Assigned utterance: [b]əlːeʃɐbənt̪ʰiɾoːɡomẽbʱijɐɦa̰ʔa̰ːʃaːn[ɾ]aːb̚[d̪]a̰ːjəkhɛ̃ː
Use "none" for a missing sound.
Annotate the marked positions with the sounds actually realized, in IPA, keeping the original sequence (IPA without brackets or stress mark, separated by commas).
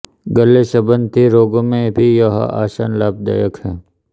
ɡ, l, d̪